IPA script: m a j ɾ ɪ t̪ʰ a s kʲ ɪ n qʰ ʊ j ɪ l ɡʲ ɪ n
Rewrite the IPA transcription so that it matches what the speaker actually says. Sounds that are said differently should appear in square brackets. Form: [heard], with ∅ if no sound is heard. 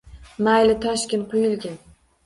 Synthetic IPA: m a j [l] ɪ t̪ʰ a [ʃ] kʲ ɪ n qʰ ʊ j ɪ l ɡʲ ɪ n